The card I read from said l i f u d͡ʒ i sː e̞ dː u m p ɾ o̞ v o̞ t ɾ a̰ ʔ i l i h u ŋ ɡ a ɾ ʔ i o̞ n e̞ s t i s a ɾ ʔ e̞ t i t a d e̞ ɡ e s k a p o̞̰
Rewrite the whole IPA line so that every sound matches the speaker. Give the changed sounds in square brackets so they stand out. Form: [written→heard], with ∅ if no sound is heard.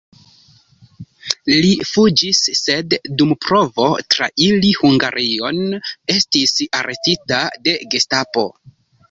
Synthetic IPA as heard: l i f u d͡ʒ i sː e̞ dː u m p ɾ o̞ v o̞ t ɾ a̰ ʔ i l i h u ŋ ɡ a ɾ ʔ i o̞ n e̞ s t i s a ɾ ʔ e̞ t i t a d e̞ ɡ e s [k→t] a p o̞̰